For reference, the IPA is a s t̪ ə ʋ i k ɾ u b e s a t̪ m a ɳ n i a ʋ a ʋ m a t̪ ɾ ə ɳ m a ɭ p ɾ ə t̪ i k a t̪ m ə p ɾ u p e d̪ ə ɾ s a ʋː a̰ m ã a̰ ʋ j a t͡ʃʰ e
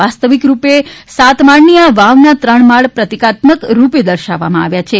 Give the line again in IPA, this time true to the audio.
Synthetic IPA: a s t̪ ə ʋ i k ɾ u p e s a t̪ m a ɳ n i a ʋ a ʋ n a t̪ ɾ ə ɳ m a ɭ p ɾ ə t̪ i k a t̪ m ə k ɾ u p e d̪ ə ɾ ʃ a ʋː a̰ m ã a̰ ʋ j a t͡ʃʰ e